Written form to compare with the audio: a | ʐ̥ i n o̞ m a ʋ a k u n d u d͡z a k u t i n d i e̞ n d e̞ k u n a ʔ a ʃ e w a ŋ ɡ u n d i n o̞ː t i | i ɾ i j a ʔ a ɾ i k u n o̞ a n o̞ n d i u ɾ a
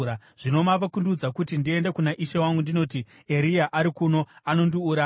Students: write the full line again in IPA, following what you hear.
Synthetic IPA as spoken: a | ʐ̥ i n o̞ m a ʋ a k u n d u d͡z a k u t i n d i e̞ n d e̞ k u n a ʔ i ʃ e w a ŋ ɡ u n d i n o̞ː t i | e ɾ i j a ʔ a ɾ i k u n o̞ a n o̞ n d i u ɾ a

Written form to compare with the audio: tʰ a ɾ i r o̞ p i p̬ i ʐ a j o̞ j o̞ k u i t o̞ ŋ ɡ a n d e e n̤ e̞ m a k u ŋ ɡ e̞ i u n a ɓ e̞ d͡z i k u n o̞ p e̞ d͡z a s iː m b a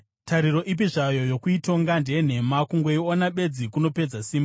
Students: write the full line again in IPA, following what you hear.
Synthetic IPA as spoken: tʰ a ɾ i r o̞ ʔ i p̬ i ʐ a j o̞ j o̞ k u i t o̞ ŋ ɡ a n d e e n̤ e̞ m a k u ŋ ɡ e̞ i o n a ɓ e̞ d͡z i k u n o̞ p e̞ d͡z a s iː m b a

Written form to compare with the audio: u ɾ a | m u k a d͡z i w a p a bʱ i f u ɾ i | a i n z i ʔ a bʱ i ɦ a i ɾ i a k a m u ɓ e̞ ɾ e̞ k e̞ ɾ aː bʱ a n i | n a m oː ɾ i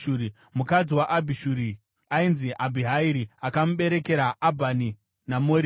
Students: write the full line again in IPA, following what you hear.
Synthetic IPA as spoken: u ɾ i | m u k a d͡z i w a ʔ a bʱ i ʃ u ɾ i | a i n z i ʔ a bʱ i ɦ a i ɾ i a k a m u ɓ e̞ ɾ e̞ k e̞ ɾ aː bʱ a n i | n a m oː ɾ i

